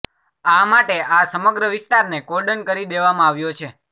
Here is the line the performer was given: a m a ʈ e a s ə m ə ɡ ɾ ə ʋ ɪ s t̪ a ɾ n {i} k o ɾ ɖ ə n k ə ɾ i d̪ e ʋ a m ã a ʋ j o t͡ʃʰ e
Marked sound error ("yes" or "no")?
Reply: yes